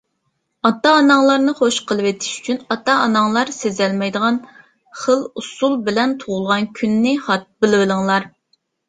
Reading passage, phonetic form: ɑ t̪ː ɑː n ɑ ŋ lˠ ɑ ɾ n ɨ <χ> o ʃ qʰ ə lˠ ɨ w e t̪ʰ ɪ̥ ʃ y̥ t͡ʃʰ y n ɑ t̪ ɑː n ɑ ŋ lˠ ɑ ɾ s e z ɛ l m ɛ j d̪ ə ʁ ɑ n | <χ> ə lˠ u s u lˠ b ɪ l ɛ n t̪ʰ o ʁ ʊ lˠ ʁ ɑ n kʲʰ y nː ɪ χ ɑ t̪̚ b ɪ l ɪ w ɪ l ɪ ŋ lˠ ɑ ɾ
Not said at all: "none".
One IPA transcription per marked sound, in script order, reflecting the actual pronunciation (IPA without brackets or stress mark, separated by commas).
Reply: χ, χ